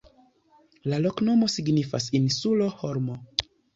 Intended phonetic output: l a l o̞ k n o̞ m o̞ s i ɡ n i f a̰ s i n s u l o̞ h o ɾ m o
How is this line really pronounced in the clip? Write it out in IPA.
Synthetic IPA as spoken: l a l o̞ k n o̞ m o̞ s i ɡ n i f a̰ s i n s u l o̞ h o ɾ m o